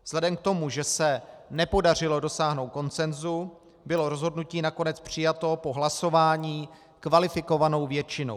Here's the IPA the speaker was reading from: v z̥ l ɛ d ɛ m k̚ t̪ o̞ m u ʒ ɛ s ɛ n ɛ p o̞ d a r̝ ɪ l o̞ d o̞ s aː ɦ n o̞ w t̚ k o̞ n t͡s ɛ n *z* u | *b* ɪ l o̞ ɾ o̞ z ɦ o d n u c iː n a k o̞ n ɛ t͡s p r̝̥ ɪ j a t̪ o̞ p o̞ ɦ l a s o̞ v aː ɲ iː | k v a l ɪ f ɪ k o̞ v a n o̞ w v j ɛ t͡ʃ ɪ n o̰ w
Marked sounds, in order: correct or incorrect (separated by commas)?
correct, correct